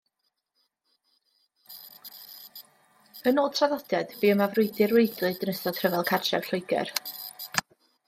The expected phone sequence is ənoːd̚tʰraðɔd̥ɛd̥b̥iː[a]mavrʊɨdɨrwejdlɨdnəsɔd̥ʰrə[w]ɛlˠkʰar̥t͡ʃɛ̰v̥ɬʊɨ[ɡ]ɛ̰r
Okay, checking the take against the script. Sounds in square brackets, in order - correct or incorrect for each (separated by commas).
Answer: incorrect, incorrect, correct